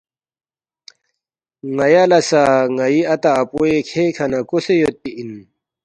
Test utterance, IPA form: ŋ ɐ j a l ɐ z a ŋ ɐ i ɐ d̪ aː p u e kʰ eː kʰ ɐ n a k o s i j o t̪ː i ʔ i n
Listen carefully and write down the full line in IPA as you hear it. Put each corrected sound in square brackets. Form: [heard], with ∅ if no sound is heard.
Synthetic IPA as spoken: ŋ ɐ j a l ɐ [s] a ŋ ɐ i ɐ [t̪] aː p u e kʰ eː kʰ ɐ n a k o s [e] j o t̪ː i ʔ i n